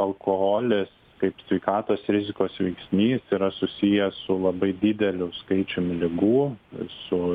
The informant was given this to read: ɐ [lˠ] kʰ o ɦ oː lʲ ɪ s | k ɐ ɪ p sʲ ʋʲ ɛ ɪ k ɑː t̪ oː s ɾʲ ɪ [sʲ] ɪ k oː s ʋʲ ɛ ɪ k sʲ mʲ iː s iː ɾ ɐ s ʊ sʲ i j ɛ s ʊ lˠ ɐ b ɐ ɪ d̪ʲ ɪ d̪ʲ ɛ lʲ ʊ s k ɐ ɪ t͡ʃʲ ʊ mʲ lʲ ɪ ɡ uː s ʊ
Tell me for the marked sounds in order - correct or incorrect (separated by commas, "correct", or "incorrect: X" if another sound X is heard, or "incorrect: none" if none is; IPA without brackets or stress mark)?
correct, incorrect: zʲ